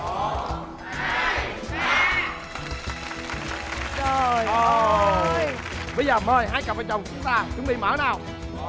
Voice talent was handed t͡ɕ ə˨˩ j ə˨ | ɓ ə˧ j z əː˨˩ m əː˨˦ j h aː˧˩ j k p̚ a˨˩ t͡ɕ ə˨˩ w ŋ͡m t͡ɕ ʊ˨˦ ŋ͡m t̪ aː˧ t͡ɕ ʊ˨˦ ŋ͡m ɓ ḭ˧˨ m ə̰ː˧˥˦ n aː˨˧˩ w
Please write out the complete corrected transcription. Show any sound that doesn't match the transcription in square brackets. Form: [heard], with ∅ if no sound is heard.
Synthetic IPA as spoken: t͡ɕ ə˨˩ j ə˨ | ɓ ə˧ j z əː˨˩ m [əː˧˩] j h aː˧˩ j k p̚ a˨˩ t͡ɕ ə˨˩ w ŋ͡m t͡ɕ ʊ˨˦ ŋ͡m t̪ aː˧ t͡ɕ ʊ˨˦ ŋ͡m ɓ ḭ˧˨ m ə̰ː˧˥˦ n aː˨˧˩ w